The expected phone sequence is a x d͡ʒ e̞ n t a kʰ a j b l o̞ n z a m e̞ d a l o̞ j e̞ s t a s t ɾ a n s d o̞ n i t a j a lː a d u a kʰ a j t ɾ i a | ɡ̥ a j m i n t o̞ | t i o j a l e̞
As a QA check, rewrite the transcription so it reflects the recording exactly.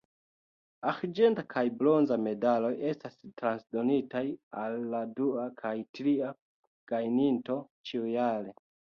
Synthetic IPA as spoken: a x d͡ʒ e̞ n t a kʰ a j b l o̞ n z a m e̞ d a l o̞ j e̞ s t a s t ɾ a n s d o̞ n i t a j a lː a d u a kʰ a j t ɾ i a | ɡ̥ a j n i n t o̞ | t͡ʃ i u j a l e̞